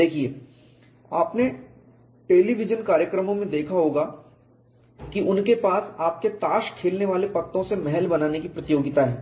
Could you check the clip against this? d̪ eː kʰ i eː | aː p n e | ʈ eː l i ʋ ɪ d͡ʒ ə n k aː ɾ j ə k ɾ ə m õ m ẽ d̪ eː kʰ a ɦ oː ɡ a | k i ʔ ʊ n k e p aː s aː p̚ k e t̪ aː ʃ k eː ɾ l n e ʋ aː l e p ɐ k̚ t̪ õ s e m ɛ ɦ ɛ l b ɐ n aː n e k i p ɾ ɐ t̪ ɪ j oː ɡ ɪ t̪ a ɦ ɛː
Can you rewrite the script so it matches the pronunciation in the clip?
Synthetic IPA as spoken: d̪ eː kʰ i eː | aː p n e | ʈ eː l i ʋ ɪ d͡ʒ ə n k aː ɾ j ə k ɾ ə m õ m ẽ d̪ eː kʰ a ɦ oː ɡ a | k i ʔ ʊ n k e p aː s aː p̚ k e t̪ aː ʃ kʰ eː l n e ʋ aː l e p ɐ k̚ t̪ õ s e m ɛ ɦ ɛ l b ɐ n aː n e k i p ɾ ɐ t̪ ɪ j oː ɡ ɪ t̪ a ɦ ɛː